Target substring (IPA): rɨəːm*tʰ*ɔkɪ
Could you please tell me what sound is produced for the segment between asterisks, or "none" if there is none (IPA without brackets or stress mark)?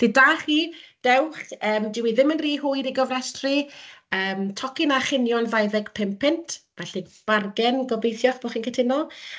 tʰ